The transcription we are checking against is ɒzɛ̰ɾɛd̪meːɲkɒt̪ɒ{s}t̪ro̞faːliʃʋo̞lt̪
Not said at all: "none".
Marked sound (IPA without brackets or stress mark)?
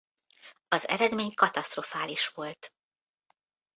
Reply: s